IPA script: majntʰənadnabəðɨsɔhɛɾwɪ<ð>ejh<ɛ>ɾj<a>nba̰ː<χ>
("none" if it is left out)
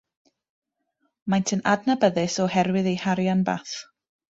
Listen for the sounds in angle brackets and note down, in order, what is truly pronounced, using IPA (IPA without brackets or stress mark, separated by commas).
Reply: ð, a, a, θ